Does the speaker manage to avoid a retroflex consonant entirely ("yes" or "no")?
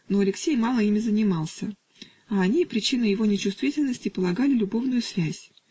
yes